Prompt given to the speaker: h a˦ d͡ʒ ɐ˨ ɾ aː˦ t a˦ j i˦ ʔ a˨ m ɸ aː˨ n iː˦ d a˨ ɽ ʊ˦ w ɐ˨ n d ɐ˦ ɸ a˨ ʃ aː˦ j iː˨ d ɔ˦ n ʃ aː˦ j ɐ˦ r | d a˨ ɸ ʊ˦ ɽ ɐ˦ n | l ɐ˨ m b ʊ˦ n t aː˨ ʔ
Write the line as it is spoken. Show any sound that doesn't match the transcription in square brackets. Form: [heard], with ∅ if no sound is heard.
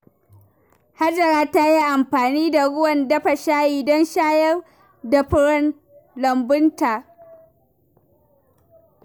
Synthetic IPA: h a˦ d͡ʒ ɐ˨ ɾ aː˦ t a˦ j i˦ ʔ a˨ m ɸ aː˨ n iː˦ d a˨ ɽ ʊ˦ w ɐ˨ n d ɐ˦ ɸ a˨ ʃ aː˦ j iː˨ d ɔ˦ n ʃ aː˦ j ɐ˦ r | d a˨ ɸ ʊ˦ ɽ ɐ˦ n | l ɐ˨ m b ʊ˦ n t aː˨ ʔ